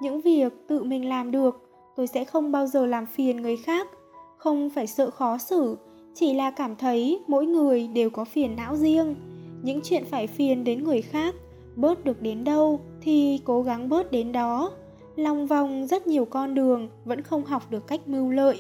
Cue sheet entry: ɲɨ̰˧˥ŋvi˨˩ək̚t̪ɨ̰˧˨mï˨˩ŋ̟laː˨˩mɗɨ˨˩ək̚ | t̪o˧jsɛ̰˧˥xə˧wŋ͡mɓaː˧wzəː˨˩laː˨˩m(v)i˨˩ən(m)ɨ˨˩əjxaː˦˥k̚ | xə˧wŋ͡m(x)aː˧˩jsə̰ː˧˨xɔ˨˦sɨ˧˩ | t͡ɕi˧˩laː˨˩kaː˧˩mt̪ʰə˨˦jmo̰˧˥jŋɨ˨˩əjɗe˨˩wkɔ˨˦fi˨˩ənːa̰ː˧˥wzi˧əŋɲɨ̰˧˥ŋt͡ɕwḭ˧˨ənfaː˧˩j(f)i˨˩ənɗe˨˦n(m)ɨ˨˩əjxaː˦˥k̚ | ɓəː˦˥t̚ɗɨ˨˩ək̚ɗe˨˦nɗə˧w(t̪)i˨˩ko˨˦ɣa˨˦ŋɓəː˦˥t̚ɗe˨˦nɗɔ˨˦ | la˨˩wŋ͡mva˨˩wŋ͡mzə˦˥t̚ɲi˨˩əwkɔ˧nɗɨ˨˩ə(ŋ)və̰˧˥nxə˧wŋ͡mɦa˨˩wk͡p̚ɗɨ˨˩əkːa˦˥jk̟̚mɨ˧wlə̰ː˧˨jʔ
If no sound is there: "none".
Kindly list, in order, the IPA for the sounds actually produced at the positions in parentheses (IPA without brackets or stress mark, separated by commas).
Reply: f, ŋ, f, f, ŋ, t̪ʰ, ŋ